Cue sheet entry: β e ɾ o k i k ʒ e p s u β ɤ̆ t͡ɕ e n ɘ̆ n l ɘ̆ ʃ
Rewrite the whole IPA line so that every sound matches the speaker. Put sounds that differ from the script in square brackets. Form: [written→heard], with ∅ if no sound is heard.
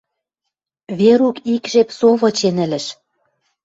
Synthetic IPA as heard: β e ɾ [o→u] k i k ʒ e p s [u→o] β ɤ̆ t͡ɕ e n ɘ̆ [n→∅] l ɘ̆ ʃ

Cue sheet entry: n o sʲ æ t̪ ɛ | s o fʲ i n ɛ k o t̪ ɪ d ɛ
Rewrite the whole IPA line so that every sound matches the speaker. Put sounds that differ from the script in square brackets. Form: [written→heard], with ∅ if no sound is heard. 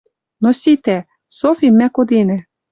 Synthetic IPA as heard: n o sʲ [æ→i] t̪ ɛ | s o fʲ i [n→m] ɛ k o [t̪→d̪] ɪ [d→n] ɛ

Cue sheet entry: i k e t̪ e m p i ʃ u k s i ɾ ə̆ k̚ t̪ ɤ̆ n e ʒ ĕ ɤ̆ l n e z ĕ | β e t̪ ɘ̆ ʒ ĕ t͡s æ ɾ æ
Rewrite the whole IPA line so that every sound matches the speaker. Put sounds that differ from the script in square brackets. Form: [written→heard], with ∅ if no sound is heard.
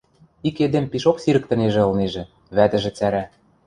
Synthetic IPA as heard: i k e [t̪→d̪] e m p i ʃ [u→o] k s i ɾ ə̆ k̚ t̪ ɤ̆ n e ʒ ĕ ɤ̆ l n e [z→ʒ] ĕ | β [e→æ] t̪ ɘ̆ ʒ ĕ t͡s æ ɾ æ

